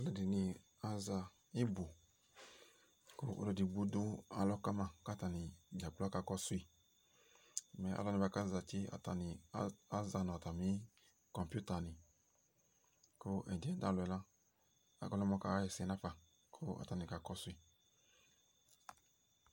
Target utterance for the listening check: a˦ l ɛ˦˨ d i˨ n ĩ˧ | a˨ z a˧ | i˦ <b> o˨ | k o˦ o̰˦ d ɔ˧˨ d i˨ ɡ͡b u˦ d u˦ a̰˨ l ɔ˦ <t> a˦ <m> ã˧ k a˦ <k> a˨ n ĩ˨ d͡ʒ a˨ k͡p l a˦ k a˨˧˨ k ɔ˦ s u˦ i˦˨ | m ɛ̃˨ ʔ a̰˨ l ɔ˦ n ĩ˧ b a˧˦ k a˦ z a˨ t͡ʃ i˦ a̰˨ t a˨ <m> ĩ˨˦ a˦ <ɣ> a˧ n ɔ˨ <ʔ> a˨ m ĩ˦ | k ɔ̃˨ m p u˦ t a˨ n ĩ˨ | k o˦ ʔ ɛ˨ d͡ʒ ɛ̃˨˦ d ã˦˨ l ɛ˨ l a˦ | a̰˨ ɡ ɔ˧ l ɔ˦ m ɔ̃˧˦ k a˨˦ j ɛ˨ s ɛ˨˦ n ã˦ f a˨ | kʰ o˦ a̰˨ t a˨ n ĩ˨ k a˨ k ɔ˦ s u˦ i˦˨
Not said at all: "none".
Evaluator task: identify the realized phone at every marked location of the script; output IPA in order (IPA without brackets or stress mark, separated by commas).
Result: b, k, m, t, n, z, t